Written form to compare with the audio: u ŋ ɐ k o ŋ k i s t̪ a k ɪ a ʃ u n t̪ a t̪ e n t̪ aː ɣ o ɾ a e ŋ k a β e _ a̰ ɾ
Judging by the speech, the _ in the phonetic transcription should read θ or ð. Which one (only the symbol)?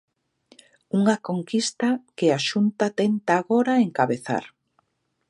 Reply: θ